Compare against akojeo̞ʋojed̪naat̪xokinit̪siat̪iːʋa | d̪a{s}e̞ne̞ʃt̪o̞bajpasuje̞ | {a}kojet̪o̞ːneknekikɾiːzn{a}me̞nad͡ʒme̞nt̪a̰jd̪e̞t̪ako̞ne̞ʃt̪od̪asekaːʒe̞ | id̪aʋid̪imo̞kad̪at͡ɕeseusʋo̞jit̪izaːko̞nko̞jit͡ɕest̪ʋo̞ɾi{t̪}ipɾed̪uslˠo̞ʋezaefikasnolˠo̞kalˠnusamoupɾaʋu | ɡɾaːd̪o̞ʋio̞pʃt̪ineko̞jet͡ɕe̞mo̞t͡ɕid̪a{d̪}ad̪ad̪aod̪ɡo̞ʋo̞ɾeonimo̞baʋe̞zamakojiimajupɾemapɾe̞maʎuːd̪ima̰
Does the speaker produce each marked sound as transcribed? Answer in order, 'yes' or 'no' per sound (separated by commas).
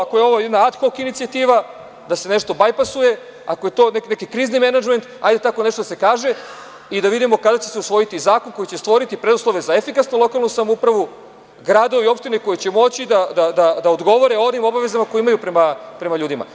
yes, yes, no, yes, yes